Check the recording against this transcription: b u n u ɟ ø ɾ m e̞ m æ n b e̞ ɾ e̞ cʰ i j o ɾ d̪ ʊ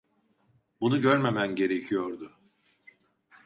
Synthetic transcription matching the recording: b u n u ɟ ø ɾ m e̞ m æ n ɟ e̞ ɾ e̞ cʰ i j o ɾ d̪ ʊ

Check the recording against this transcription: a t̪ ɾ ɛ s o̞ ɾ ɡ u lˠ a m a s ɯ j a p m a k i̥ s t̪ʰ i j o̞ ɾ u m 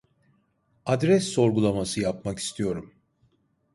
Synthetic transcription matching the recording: a d̪ ɾ ɛ sː o̞ ɾ ɡ u lˠ a m a s ɯ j a p m a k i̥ s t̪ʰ i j o̞ ɾ u m

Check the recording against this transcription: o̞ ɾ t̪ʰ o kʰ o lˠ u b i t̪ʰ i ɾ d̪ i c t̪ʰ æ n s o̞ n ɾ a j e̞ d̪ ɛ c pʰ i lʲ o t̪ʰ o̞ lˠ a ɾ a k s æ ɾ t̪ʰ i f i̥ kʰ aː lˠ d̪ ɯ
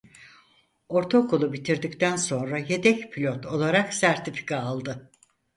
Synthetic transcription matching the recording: o̞ ɾ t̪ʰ o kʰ o lˠ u b i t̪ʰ i ɾ d̪ i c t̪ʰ æ n s o̞ n ɾ a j e̞ d̪ ɛ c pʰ i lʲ o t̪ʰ o̞ lˠ a ɾ a k s æ ɾ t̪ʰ i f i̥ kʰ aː lˠ d̪ ɯ

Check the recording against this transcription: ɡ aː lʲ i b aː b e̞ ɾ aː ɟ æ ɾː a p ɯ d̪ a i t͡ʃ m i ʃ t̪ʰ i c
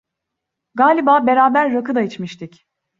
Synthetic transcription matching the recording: ɡ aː lʲ i b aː b e̞ ɾ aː b æ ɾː a k ɯ d̪ a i t͡ʃ m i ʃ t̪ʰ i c

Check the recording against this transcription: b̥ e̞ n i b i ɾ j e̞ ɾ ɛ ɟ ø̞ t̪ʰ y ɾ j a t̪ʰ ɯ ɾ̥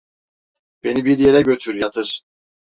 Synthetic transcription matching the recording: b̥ e̞ n i b i ɾ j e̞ ɾ ɛ ɟ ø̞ t̪ʰ y ɾ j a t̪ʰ ɯ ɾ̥

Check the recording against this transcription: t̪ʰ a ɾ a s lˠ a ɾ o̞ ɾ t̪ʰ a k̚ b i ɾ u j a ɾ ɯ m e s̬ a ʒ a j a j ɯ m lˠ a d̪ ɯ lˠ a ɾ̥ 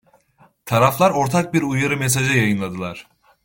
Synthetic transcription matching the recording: t̪ʰ a ɾ a f lˠ a ɾ o̞ ɾ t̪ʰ a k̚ b i ɾ u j a ɾ ɯ m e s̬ a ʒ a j a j ɯ n lˠ a d̪ ɯ lˠ a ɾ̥

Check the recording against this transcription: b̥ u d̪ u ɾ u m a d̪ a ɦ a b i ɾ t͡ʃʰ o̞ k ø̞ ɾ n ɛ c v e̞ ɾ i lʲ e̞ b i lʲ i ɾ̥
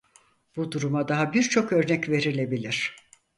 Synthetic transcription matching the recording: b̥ u d̪ u ɾ u m a d̪ a ɦ a b i ɾ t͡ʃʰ o̞ k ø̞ ɾ n ɛ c v e̞ ɾ i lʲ e̞ b i lʲ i ɾ̥

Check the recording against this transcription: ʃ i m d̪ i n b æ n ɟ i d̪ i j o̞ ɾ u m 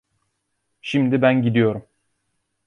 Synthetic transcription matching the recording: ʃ i m d̪ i b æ n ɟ i d̪ i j o̞ ɾ u m

